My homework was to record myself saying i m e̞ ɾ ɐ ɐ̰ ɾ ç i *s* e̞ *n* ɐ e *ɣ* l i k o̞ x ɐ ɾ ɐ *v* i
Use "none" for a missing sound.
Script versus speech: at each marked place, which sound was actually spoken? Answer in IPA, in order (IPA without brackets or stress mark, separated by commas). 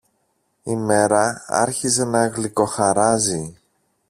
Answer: z, n, ɣ, z